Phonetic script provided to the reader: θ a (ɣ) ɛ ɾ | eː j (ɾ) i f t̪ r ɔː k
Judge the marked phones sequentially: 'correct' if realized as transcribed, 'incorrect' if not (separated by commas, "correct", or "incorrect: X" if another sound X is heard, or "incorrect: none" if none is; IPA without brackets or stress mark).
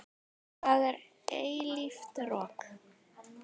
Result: incorrect: ð, incorrect: l